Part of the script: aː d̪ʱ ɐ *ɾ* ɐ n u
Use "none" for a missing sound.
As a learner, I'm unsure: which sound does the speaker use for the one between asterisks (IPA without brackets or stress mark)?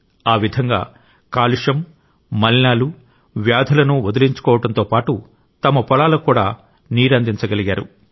l